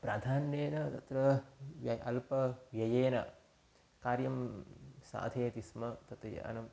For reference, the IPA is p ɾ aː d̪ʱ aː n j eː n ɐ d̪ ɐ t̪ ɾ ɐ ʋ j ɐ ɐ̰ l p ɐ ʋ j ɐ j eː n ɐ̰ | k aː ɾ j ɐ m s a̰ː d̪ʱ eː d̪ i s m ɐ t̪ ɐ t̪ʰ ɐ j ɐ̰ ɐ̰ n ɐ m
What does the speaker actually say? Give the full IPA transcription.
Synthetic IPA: p ɾ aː d̪ʱ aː n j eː n ɐ t̪ ɐ t̪ ɾ ɐ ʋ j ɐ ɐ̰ l p ɐ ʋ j ɐ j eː n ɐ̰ | k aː ɾ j ɐ m s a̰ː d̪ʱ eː t̪ i s m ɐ t̪ ɐ t̪ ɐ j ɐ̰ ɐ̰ n ɐ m